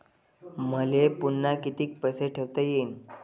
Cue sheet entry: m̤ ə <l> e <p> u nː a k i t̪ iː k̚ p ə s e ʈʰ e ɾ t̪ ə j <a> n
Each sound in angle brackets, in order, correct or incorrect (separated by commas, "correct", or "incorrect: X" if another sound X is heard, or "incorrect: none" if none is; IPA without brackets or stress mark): correct, correct, incorrect: e